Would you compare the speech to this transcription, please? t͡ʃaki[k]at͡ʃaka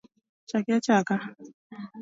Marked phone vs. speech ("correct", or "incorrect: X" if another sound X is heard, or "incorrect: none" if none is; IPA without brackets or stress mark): incorrect: none